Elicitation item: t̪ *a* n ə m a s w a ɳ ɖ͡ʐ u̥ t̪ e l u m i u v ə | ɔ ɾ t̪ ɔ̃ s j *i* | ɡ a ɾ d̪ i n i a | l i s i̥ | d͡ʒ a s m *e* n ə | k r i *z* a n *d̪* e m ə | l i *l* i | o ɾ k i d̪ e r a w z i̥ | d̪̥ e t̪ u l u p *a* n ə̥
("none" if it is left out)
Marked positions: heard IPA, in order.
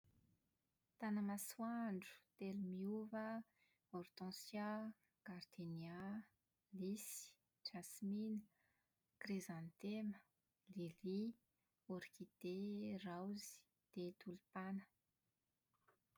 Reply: a, a, i, z, t̪, l, a

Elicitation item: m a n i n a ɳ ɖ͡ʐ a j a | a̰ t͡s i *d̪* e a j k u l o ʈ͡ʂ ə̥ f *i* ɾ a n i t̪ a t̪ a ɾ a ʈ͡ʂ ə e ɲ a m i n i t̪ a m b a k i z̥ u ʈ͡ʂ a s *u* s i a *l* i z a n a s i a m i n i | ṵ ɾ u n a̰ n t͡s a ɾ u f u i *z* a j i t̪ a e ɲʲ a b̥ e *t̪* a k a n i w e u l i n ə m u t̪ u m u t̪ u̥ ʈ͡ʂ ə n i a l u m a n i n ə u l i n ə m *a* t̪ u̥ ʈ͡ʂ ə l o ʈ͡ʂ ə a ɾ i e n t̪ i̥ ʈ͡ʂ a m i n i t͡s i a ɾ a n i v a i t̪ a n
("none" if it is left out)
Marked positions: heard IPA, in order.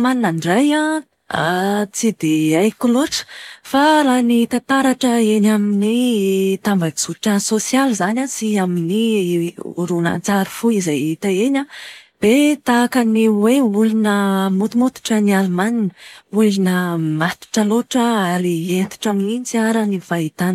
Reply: d̪, a, o, l, z, t̪, a

